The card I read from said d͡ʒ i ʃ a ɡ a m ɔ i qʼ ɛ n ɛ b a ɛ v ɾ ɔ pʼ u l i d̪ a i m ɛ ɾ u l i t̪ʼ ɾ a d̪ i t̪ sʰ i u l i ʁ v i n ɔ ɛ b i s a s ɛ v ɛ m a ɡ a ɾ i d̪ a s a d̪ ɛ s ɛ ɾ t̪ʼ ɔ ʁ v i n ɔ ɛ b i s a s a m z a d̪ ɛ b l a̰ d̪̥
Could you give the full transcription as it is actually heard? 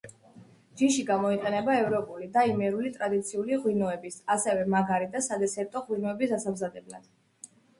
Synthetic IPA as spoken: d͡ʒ i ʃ i ɡ a m ɔ i qʼ ɛ n ɛ b a ɛ v ɾ ɔ pʼ u l i d̪ a i m ɛ ɾ u l i t̪ʼ ɾ a d̪ i t̪ sʰ i u l i ʁ w i n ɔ ɛ b i s a s ɛ v ɛ m a ɡ a ɾ i d̪ a s a d̪ ɛ s ɛ ɾ t̪ʼ ɔ ʁ w i n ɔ ɛ b i s a s a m z a d̪ ɛ b l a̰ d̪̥